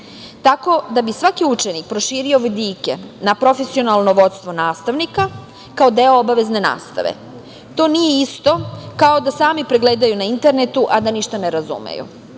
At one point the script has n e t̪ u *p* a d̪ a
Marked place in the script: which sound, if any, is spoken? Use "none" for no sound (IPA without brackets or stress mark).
ʔ